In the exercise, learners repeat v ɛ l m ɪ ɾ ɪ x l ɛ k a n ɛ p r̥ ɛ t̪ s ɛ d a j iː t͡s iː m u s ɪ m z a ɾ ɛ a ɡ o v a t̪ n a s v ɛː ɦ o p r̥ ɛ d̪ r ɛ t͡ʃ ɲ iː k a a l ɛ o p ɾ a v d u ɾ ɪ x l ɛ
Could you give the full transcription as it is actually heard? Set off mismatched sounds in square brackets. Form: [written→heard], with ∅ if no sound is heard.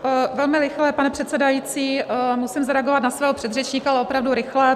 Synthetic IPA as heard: v ɛ l m ɪ ɾ ɪ x l ɛ [k→p] a n ɛ p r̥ ɛ t̪ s ɛ d a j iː t͡s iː m u s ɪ m z a ɾ ɛ a ɡ o v a t̪ n a s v ɛː ɦ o p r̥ ɛ d̪ r ɛ t͡ʃ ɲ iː k a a l ɛ o p ɾ a v d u ɾ ɪ x l ɛ